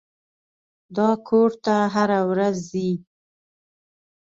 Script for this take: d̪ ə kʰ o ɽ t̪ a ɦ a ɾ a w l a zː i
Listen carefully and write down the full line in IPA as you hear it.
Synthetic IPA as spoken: d̪ ɑ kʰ o ɾ t̪ a ɦ a ɾ a w ɾ a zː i